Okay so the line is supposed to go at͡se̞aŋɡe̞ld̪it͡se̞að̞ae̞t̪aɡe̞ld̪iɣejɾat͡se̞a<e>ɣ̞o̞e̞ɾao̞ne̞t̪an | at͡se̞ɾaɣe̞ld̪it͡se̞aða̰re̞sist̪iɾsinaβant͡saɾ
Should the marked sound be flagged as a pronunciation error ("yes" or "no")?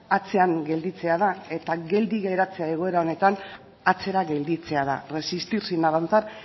no